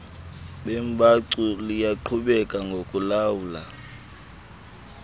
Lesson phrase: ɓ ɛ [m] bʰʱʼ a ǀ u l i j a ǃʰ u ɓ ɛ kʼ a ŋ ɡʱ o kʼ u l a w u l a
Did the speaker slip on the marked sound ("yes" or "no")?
no